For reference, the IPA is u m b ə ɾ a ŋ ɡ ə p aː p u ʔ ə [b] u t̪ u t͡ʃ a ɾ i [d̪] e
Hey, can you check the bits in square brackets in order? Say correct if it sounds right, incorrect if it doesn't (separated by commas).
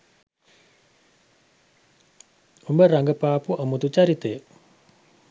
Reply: incorrect, incorrect